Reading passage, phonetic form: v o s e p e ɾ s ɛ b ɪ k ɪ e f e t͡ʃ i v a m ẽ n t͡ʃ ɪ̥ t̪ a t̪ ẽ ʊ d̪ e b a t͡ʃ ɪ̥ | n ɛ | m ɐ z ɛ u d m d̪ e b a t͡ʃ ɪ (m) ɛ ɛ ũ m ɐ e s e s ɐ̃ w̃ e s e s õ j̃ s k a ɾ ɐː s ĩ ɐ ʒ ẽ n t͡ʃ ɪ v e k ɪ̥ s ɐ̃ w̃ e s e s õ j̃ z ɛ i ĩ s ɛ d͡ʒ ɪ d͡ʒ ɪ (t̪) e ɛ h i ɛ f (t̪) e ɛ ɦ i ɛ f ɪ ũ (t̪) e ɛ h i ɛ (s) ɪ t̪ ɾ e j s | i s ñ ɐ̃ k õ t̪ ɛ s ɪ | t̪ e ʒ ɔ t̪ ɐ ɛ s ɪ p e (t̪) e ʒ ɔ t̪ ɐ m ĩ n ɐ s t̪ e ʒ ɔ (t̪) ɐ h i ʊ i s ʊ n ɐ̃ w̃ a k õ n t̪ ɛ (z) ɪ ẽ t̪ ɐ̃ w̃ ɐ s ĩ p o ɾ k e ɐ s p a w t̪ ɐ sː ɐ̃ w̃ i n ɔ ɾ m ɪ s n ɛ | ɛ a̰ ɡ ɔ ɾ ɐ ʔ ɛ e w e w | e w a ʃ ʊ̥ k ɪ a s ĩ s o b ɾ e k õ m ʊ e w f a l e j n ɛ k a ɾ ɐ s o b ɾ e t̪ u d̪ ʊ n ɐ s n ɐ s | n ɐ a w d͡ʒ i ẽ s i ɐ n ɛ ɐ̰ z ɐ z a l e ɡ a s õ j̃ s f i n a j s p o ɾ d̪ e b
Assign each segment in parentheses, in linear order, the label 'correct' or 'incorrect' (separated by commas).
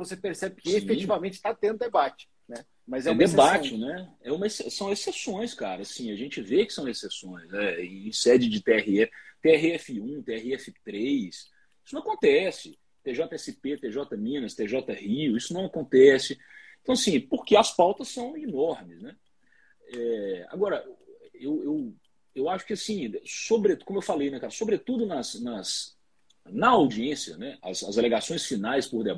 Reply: incorrect, correct, correct, correct, incorrect, correct, correct, incorrect